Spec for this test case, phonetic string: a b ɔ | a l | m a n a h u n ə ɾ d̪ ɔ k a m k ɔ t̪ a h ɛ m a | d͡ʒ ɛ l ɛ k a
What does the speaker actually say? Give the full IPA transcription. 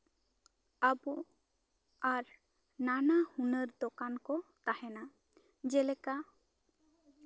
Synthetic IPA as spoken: a b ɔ | a ɾ | n a n a h u n ə ɾ d̪ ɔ k a n k ɔ t̪ a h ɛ n a | d͡ʒ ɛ l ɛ k a